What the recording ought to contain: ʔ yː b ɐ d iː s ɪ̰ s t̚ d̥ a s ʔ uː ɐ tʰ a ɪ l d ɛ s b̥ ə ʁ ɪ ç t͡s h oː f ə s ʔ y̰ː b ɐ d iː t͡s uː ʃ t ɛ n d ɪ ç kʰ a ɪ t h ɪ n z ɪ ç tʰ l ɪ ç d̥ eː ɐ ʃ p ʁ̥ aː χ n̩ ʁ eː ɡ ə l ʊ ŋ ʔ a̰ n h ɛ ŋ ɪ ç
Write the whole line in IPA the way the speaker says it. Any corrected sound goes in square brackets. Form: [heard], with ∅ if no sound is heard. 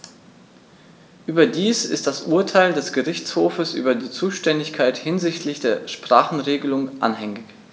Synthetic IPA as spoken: ʔ yː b ɐ d iː s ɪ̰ s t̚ d̥ a s ʔ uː ɐ tʰ a ɪ l d ɛ s [ɡ̥] ə ʁ ɪ ç t͡s h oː f ə s ʔ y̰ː b ɐ d iː t͡s uː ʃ t ɛ n d ɪ ç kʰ a ɪ t h ɪ n z ɪ ç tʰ l ɪ ç d̥ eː ɐ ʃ p ʁ̥ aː χ n̩ ʁ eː ɡ ə l ʊ ŋ ʔ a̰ n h ɛ ŋ ɪ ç